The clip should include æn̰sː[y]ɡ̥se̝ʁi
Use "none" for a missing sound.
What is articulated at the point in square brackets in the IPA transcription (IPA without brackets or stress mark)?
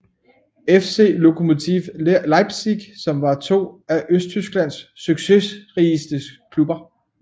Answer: y